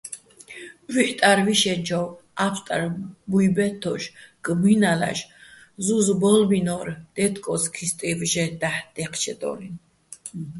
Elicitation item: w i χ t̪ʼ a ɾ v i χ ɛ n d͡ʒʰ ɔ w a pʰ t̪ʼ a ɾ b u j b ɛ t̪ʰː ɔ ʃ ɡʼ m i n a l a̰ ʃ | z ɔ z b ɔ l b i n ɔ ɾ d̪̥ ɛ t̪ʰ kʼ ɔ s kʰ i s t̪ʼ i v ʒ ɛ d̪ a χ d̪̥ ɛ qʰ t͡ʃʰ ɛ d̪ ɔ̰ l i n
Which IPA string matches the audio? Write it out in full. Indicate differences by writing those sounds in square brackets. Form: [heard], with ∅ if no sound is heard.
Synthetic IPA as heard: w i [ħ] t̪ʼ a ɾ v i [ʃ] ɛ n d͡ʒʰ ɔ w a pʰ t̪ʼ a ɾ b u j b ɛ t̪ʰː ɔ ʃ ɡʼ m i n a l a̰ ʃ | z [u] z b ɔ l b i n ɔ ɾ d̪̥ ɛ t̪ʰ kʼ ɔ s kʰ i s t̪ʼ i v ʒ ɛ d̪ a [ħ] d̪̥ ɛ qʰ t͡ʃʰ ɛ d̪ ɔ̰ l i n